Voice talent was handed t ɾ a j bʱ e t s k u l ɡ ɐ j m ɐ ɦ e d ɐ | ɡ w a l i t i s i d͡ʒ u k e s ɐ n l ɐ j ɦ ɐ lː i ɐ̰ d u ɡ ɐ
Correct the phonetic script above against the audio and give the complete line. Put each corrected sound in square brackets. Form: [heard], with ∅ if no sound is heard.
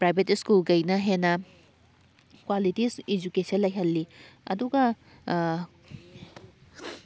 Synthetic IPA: [p] ɾ a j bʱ e t s k u l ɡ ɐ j [n] ɐ ɦ e [n] ɐ | [k] w a l i t i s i d͡ʒ u k e s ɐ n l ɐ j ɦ ɐ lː i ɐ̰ d u ɡ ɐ